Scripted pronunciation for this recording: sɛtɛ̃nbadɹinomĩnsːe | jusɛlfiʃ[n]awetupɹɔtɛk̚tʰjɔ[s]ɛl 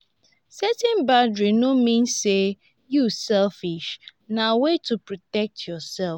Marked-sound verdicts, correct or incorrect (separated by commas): correct, correct